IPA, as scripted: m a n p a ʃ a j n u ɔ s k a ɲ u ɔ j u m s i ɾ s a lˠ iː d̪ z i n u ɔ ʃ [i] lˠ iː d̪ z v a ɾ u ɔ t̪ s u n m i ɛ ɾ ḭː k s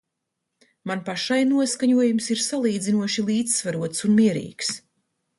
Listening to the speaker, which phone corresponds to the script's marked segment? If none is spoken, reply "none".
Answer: i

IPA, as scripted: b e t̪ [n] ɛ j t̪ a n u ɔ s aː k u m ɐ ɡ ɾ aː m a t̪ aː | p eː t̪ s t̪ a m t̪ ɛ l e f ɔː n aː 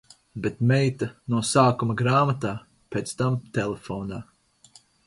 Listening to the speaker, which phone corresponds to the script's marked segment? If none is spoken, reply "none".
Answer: m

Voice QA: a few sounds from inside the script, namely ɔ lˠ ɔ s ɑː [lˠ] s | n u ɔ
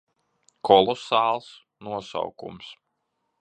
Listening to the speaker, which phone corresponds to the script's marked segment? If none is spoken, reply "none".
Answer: lˠ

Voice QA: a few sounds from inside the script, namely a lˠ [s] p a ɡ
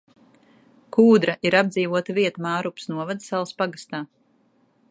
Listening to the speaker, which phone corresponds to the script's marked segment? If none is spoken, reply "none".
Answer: s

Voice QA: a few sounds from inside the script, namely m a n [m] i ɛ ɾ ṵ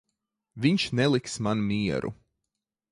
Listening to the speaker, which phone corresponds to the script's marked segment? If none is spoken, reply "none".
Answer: m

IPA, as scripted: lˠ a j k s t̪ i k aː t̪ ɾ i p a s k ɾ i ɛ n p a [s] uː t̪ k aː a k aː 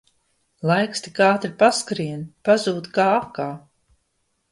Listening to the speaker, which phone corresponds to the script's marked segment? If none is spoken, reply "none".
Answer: z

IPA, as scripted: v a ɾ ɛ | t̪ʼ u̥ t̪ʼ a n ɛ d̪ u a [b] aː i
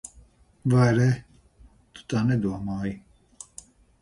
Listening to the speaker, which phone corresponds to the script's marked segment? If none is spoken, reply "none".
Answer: m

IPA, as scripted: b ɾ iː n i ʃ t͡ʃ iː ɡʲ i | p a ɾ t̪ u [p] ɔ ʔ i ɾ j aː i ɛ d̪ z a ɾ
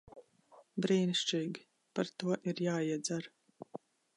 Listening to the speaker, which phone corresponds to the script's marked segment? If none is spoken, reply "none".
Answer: none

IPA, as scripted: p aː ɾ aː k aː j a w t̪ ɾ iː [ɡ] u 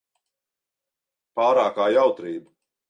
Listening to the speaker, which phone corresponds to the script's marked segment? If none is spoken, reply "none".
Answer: b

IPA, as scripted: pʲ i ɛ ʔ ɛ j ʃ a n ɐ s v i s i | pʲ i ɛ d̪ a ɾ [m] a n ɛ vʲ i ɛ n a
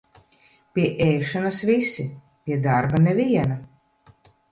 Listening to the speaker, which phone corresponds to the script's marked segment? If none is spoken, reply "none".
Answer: b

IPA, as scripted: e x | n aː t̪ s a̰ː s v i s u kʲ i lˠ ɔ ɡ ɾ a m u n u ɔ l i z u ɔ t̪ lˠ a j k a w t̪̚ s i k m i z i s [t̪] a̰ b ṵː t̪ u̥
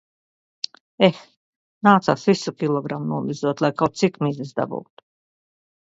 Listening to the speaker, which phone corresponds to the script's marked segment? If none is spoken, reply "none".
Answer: d̪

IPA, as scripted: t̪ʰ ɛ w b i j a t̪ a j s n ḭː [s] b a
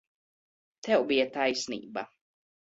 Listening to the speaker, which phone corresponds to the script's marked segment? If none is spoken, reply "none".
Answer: none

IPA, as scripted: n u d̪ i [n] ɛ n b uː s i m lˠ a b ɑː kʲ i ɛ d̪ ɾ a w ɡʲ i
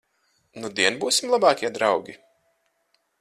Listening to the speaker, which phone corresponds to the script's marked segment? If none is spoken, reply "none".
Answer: none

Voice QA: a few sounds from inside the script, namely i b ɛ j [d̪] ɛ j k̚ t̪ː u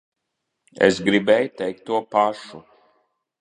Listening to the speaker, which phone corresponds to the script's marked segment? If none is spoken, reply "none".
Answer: t̪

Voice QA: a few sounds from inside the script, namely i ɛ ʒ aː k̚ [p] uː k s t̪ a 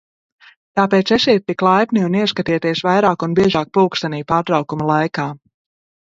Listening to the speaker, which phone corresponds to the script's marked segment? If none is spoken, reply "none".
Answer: p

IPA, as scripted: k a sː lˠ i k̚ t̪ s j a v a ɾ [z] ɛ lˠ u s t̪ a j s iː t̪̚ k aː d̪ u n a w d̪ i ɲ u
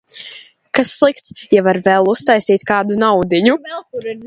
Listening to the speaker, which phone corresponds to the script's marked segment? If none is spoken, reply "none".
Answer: v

